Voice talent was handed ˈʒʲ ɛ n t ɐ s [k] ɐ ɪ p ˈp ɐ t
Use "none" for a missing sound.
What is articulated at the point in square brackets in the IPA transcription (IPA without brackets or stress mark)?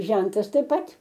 t